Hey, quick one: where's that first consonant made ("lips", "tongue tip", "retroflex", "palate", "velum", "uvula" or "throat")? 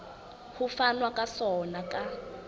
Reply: throat